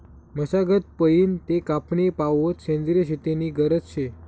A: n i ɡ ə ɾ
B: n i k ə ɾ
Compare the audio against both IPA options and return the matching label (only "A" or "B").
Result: A